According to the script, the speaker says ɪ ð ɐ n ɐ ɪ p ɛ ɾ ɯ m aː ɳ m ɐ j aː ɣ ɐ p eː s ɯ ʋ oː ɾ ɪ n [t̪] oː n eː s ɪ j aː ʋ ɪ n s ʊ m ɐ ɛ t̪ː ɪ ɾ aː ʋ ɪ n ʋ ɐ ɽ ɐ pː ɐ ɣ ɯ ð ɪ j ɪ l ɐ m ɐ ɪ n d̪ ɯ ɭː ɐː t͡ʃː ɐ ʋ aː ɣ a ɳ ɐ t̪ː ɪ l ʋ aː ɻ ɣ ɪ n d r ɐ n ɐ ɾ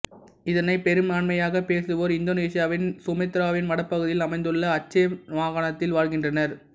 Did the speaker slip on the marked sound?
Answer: yes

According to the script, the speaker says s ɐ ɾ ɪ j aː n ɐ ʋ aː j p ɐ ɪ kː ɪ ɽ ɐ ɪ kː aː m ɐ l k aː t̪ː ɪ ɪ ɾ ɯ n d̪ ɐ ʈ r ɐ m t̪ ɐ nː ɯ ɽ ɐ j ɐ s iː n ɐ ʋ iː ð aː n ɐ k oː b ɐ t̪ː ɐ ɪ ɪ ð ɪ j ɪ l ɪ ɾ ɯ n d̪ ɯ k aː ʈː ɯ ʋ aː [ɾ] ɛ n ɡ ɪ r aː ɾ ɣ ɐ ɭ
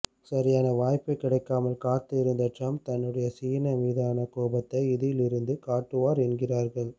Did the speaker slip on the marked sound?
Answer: no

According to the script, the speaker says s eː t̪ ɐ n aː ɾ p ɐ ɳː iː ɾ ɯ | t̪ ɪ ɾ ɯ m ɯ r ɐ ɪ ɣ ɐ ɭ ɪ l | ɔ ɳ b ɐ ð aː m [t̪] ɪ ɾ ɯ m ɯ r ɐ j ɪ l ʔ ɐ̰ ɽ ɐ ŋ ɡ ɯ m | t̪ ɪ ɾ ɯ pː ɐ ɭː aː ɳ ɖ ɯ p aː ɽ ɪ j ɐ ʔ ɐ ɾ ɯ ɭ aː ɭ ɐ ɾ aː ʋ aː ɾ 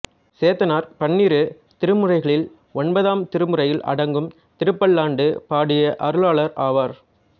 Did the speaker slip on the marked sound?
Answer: no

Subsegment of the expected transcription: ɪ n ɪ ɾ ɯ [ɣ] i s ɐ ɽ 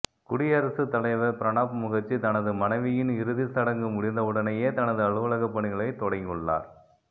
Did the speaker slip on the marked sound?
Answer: yes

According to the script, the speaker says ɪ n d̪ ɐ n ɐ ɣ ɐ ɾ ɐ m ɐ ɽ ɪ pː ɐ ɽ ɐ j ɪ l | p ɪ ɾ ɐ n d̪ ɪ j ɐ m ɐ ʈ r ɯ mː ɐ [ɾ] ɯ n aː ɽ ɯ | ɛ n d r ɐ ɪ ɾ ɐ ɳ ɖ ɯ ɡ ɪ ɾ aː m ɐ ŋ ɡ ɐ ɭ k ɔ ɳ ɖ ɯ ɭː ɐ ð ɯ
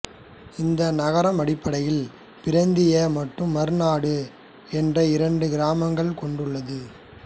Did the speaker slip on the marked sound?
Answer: no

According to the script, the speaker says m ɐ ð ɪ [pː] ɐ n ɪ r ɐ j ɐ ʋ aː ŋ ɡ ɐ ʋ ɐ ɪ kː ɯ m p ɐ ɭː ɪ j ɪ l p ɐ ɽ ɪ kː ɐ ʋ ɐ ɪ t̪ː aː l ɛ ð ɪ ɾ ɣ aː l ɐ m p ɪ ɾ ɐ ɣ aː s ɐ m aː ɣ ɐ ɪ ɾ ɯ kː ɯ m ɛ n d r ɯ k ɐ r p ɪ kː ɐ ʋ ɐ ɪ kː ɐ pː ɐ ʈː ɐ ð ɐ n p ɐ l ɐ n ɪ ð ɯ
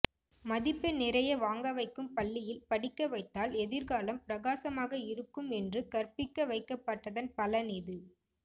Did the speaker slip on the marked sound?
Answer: no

